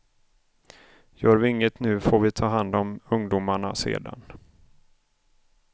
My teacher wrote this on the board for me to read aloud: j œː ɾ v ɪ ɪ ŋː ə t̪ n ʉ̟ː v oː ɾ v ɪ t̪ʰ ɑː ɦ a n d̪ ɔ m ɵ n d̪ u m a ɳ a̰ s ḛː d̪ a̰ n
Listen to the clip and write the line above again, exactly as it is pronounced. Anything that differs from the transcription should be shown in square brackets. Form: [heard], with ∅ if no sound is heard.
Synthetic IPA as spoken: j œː ɾ v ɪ ɪ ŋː ə t̪ n ʉ̟ː [f] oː ɾ v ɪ t̪ʰ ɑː ɦ a n d̪ ɔ m ɵ [ŋ] d̪ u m a ɳ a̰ s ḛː d̪ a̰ n